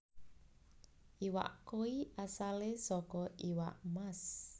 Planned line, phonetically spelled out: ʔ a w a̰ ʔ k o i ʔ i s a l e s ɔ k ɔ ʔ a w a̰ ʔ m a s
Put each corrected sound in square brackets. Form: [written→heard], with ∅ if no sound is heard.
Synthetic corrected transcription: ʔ [a→i] w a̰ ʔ k o i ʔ [i→a] s a l e s ɔ k ɔ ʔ [a→i] w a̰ ʔ m a s